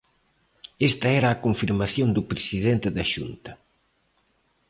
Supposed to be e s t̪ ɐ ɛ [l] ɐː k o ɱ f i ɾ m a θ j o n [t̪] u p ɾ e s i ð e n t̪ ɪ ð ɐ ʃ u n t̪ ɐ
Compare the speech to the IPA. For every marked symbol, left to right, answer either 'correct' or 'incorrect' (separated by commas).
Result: incorrect, incorrect